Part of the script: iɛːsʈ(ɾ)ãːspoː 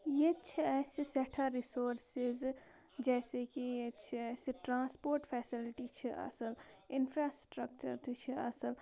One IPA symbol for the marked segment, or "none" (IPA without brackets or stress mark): ɾ